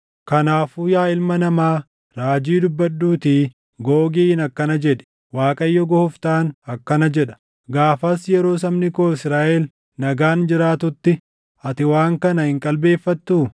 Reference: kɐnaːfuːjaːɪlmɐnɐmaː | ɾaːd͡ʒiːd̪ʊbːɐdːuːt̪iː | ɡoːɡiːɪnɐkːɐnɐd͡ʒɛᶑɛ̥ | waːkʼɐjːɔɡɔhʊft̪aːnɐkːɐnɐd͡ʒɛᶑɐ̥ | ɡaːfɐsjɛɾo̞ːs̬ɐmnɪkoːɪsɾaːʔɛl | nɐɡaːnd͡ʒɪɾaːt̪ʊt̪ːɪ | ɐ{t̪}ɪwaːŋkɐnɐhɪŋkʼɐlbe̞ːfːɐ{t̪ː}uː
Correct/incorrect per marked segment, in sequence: correct, correct

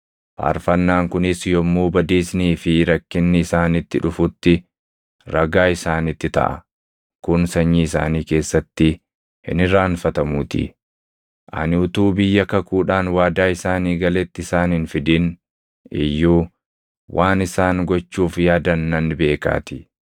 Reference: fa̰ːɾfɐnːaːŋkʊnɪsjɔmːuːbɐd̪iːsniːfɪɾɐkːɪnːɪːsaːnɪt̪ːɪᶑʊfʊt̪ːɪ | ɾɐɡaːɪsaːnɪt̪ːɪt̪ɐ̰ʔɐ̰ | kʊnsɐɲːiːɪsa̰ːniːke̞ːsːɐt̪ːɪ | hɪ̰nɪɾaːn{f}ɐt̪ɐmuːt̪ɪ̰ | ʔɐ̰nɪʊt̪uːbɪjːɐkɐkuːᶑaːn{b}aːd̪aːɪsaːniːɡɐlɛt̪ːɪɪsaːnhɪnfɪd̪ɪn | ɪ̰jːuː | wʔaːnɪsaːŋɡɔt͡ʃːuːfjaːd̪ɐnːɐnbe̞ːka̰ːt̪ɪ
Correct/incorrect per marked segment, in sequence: correct, incorrect: w

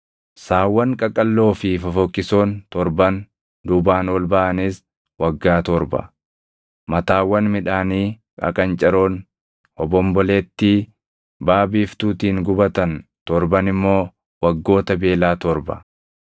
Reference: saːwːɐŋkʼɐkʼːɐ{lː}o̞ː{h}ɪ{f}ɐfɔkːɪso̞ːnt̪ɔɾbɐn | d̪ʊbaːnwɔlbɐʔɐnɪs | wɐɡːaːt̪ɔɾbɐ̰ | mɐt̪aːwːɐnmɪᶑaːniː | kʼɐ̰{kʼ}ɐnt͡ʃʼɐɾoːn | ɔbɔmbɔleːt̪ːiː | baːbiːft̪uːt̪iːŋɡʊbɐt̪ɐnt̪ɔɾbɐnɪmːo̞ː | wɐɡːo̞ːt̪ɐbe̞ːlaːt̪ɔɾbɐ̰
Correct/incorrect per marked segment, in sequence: correct, incorrect: f, correct, correct

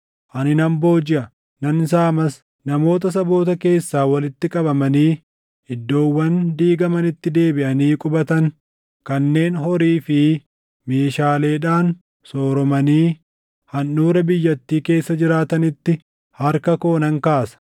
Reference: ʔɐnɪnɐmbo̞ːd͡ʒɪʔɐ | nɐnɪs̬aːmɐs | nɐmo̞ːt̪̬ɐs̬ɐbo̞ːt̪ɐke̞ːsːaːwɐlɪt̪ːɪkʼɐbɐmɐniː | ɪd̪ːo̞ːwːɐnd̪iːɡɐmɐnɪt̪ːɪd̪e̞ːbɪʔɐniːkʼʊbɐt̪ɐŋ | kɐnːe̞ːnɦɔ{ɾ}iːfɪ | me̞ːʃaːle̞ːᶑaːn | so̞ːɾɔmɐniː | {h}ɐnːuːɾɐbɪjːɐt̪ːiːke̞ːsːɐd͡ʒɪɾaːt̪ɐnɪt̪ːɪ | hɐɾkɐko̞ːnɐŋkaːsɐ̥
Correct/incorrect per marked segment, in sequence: correct, correct

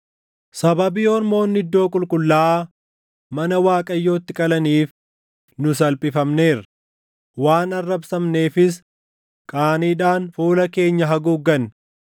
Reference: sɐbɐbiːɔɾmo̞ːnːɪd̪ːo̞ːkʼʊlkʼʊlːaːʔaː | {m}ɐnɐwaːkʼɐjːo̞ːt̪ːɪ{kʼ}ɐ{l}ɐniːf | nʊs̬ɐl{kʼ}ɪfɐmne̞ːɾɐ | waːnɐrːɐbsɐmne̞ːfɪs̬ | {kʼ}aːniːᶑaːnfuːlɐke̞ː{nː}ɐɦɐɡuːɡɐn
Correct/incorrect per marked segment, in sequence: correct, correct, correct, incorrect: pʼ, correct, incorrect: ɲː

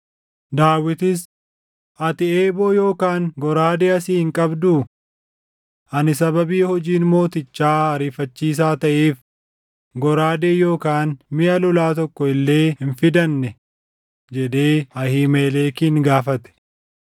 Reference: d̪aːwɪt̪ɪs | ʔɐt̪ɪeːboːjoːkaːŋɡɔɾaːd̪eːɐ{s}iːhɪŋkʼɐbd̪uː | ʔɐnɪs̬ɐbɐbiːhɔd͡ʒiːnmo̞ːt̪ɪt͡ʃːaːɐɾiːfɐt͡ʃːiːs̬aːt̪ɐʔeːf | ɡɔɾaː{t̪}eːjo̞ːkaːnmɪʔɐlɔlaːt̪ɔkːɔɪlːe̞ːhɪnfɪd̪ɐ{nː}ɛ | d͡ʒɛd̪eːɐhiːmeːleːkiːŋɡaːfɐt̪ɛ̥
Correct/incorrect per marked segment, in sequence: correct, incorrect: d̪, correct

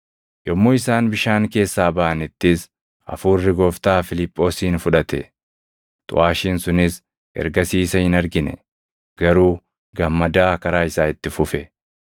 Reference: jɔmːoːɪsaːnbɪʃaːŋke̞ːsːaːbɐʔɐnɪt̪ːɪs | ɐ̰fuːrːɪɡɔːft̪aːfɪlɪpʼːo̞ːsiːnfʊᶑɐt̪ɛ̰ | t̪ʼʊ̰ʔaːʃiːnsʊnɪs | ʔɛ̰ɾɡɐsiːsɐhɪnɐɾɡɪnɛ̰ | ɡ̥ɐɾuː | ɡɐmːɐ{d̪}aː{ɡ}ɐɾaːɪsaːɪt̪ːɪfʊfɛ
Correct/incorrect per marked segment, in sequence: correct, incorrect: k

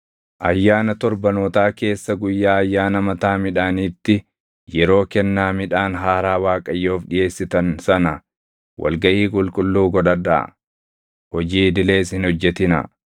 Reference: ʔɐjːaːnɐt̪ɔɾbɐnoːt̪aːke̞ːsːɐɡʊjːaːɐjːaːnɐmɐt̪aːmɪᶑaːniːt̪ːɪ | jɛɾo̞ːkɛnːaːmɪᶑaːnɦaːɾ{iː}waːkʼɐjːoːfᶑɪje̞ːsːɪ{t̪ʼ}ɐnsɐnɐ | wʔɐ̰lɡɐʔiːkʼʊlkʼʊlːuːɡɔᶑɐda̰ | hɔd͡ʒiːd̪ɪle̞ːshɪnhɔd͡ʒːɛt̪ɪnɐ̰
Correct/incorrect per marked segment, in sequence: incorrect: aː, incorrect: t̪

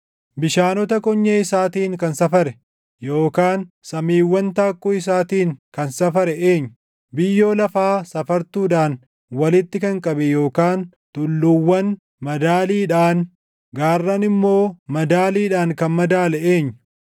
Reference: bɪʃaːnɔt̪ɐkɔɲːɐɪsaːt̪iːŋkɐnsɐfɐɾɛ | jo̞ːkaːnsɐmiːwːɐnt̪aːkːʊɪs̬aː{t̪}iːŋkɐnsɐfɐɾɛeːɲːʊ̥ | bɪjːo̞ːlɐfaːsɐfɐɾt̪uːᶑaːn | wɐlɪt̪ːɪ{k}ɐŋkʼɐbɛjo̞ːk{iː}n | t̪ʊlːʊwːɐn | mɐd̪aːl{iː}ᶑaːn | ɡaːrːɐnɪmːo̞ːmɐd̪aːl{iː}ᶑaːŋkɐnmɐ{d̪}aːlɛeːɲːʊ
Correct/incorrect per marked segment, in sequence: correct, correct, incorrect: aː, correct, correct, correct

